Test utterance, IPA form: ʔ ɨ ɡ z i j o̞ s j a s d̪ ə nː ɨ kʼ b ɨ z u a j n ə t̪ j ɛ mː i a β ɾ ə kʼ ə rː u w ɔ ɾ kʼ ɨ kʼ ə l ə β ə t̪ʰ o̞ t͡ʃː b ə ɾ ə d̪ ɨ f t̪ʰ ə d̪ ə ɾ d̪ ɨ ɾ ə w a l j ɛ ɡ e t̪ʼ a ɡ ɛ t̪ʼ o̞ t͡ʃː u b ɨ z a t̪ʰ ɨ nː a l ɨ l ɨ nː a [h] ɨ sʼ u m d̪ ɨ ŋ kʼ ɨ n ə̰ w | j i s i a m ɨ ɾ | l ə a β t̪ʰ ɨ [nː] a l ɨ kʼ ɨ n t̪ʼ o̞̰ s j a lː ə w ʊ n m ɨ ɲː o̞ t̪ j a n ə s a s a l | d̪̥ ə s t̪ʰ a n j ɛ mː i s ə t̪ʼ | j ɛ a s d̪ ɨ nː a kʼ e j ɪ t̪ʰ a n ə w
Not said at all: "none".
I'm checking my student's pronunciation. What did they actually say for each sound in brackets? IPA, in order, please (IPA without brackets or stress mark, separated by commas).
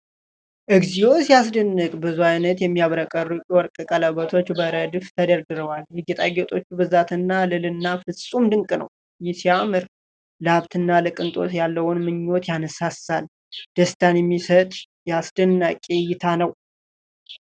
f, nː